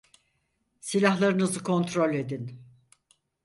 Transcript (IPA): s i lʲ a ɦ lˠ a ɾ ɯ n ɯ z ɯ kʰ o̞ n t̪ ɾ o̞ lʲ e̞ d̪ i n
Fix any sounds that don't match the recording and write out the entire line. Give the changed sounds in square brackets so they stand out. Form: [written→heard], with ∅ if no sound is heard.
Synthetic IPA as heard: s i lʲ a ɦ lˠ a ɾ ɯ n ɯ z ɯ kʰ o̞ n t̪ ɾ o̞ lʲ e̞ d̪ i n

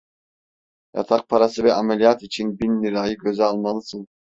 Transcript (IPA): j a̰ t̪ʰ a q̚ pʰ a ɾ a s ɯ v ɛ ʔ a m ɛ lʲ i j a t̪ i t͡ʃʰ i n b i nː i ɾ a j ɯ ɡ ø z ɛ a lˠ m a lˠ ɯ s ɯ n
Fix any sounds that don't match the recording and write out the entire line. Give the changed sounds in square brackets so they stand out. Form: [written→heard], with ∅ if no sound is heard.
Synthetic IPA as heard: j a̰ t̪ʰ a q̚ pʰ a ɾ a s ɯ v ɛ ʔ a m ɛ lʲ i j a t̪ i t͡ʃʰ i n b i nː i ɾ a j ɯ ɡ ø z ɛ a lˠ m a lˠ ɯ s ɯ n

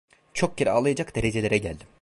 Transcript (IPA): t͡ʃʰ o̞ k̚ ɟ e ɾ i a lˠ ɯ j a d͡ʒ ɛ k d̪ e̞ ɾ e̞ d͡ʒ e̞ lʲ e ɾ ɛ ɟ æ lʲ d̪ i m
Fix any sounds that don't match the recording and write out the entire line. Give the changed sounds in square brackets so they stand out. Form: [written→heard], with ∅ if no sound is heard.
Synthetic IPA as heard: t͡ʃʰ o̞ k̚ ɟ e ɾ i a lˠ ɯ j a d͡ʒ [ɛ→a] k d̪ e̞ ɾ e̞ d͡ʒ e̞ lʲ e ɾ ɛ ɟ æ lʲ d̪ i m

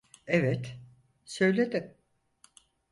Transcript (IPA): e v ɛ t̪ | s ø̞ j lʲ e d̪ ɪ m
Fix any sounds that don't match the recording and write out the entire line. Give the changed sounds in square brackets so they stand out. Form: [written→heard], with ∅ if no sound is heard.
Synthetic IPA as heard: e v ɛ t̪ | s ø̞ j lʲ e d̪ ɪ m

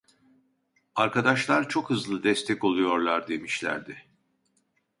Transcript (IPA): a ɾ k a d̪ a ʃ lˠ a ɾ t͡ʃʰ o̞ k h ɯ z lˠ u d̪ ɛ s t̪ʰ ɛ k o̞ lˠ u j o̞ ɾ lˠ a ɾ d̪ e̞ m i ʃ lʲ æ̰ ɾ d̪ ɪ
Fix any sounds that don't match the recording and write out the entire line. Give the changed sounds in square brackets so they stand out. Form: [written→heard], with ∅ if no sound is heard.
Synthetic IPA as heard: a ɾ k a d̪ a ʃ lˠ a ɾ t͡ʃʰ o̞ k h ɯ z lˠ [u→ɯ] d̪ ɛ s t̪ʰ ɛ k o̞ lˠ u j o̞ ɾ lˠ a ɾ d̪ e̞ m i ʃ lʲ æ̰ ɾ d̪ ɪ

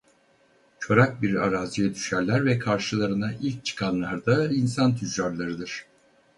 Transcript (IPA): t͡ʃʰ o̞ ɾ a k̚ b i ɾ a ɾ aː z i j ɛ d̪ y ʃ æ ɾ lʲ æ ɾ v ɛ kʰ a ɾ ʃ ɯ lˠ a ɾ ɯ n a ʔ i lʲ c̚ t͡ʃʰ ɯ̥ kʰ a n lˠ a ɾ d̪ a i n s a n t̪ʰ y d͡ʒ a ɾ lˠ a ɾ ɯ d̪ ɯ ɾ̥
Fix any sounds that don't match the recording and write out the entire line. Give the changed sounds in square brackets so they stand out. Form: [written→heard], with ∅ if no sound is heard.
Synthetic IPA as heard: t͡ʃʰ o̞ ɾ a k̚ b i ɾ a ɾ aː z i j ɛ d̪ y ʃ æ ɾ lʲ æ ɾ v ɛ kʰ a ɾ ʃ ɯ lˠ a ɾ ɯ n a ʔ i lʲ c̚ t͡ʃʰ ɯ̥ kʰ a n lˠ a ɾ d̪ a i n s a n t̪ʰ y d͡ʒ a ɾ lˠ a ɾ ɯ d̪ ɯ ɾ̥

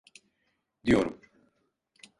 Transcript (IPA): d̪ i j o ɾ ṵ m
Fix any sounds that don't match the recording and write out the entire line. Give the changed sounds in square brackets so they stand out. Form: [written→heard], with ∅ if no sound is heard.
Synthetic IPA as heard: d̪ i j o ɾ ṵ m

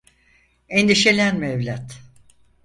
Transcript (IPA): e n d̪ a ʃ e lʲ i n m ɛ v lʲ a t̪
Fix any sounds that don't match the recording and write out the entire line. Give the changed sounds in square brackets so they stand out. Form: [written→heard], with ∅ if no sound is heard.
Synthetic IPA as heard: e n d̪ [a→i] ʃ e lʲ [i→æ] n m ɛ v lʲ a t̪

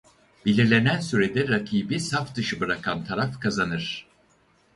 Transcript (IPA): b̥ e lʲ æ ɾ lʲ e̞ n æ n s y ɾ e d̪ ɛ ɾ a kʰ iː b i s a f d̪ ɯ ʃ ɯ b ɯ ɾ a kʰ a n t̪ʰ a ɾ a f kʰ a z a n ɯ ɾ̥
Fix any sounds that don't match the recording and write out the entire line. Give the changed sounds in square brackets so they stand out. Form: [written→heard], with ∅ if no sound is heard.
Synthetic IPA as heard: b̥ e lʲ [æ→i] ɾ lʲ e̞ n æ n s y ɾ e d̪ ɛ ɾ a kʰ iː b i s a f d̪ ɯ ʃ ɯ b ɯ ɾ a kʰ a n t̪ʰ a ɾ a f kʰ a z a n ɯ ɾ̥

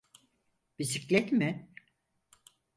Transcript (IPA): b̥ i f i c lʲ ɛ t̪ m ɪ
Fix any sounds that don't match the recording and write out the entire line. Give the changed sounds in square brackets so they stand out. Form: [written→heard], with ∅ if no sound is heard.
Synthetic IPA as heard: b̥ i [f→s] i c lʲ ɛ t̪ m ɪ

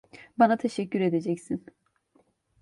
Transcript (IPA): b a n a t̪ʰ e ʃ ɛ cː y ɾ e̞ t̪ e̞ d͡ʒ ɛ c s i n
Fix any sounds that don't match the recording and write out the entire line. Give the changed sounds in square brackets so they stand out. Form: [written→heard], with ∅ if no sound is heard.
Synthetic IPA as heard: b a n a t̪ʰ e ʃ ɛ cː y ɾ e̞ [t̪→d̪] e̞ d͡ʒ ɛ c s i n

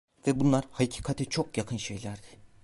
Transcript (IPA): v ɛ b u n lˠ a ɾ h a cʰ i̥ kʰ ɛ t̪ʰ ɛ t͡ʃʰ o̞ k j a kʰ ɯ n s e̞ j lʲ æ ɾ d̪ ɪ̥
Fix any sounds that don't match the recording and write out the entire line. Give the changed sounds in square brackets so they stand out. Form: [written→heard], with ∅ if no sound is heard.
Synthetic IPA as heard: v ɛ b u n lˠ a ɾ h a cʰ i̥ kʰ [ɛ→a] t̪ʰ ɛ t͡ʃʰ o̞ k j a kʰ ɯ n [s→ʃ] e̞ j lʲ æ ɾ d̪ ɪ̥

